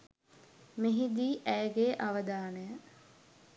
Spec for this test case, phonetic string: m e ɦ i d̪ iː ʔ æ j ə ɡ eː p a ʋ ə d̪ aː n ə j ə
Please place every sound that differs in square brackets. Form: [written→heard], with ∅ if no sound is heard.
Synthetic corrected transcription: m e ɦ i d̪ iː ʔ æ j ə ɡ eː [p→ʔ] a ʋ ə d̪ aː n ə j ə